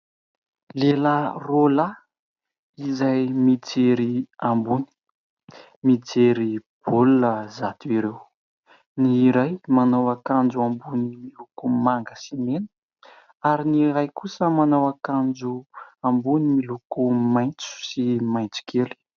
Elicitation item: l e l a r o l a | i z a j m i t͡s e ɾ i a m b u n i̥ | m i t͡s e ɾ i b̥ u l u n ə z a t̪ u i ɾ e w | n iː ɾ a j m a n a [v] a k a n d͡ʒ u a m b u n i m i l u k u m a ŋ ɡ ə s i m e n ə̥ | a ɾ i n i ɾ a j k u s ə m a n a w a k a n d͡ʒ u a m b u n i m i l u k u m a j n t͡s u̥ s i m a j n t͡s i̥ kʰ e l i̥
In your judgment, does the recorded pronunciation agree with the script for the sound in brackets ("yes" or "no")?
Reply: no